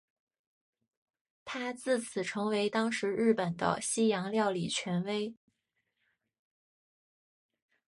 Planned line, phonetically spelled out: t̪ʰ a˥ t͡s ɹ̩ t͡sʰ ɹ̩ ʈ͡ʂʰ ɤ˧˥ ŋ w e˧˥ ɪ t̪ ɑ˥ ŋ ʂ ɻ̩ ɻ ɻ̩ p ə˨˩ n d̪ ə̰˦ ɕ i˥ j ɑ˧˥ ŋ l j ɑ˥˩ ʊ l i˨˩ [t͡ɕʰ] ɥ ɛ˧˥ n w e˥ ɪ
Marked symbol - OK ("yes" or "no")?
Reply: yes